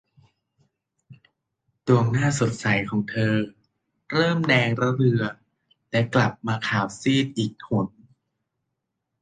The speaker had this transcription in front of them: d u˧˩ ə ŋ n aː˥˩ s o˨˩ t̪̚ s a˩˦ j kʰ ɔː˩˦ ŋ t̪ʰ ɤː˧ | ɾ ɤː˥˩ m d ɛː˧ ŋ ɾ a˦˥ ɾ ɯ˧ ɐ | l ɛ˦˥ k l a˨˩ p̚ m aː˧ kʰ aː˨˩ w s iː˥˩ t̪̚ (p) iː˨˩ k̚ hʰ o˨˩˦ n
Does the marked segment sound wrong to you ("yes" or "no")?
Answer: yes